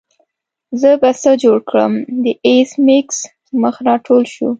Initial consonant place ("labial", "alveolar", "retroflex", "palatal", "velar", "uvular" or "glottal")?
alveolar